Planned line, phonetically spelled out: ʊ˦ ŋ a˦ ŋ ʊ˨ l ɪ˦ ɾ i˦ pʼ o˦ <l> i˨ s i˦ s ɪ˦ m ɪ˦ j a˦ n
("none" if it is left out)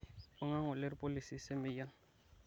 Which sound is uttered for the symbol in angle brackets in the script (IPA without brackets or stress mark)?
l